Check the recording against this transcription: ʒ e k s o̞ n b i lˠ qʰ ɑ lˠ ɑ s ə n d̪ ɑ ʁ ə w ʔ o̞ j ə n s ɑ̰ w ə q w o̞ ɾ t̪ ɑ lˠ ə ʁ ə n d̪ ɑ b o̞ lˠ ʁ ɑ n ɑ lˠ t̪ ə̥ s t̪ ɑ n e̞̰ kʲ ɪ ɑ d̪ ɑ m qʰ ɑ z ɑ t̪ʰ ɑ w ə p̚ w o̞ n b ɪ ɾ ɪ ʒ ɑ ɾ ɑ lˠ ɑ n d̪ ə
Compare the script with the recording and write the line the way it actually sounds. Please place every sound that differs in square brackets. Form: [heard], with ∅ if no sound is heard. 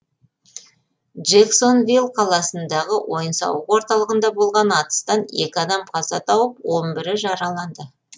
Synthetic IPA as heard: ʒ e k s o̞ n [v] i lˠ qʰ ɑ lˠ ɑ s ə n d̪ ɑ ʁ ə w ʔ o̞ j ə n s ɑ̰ w ə q w o̞ ɾ t̪ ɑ lˠ ə ʁ ə n d̪ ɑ b o̞ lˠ ʁ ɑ n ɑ [∅] t̪ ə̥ s t̪ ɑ n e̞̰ kʲ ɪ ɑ d̪ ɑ m qʰ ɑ z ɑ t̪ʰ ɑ w ə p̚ w o̞ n b ɪ ɾ ɪ ʒ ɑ ɾ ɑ lˠ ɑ n d̪ ə

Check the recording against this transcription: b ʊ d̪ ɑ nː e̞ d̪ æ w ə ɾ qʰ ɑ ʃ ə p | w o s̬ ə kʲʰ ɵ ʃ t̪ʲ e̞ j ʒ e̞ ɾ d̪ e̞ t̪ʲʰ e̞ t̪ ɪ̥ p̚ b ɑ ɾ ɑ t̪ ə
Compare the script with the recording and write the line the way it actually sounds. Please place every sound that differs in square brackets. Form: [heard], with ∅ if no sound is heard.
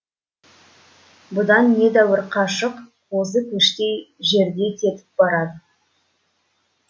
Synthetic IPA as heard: b ʊ d̪ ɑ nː e̞ d̪ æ w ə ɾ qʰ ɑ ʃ ə [q] | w o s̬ ə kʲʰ ɵ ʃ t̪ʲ e̞ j ʒ e̞ ɾ d̪ e̞ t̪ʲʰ e̞ t̪ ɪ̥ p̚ b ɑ ɾ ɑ [d̪] ə

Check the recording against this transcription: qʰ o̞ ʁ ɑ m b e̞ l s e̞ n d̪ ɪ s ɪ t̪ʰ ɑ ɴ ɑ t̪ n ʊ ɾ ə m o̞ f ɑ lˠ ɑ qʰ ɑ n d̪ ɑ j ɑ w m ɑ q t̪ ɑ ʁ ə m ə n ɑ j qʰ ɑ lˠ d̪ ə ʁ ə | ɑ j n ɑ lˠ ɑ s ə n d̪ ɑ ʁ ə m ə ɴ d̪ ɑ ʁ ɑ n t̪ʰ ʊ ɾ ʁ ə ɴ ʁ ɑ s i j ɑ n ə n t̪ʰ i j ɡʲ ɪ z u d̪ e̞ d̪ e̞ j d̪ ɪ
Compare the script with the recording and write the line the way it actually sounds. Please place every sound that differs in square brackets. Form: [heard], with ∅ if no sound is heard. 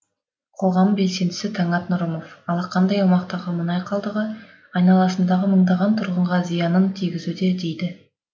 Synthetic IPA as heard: qʰ o̞ ʁ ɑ m b e̞ l s e̞ n d̪ ɪ s ɪ t̪ʰ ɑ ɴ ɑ t̪ n ʊ ɾ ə m o̞ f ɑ lˠ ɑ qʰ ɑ n d̪ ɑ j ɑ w m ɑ q t̪ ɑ ʁ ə m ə n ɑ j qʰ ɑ lˠ d̪ ə ʁ ə | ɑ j n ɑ lˠ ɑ s ə n d̪ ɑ ʁ ə m ə ɴ d̪ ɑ ʁ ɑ n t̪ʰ ʊ ɾ ʁ ə ɴ ʁ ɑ [z] i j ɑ n ə n t̪ʰ i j ɡʲ ɪ z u d̪ e̞ d̪ e̞ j d̪ ɪ

